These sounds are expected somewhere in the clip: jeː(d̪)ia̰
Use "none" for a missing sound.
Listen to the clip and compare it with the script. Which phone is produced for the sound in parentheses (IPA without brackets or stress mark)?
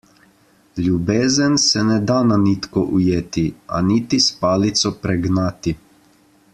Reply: t̪